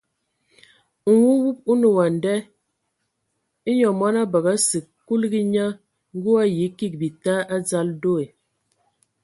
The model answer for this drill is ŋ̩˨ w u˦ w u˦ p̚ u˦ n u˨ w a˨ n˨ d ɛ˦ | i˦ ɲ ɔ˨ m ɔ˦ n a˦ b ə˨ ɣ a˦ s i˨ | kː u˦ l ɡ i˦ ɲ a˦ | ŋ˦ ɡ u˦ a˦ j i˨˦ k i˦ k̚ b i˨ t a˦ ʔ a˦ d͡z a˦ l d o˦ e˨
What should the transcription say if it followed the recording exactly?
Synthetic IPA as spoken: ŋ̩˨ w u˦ w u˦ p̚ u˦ n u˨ w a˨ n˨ d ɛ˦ | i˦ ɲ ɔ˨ m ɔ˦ n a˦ b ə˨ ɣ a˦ s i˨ | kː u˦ l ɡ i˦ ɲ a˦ | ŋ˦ ɡ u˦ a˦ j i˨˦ k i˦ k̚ b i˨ t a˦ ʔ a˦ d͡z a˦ l d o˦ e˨